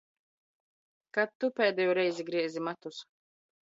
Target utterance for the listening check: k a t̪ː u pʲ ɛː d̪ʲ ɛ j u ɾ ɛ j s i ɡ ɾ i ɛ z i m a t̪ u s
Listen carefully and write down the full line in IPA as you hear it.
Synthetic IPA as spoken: k a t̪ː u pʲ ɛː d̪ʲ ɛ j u ɾ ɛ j z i ɡ ɾ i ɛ z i m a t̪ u s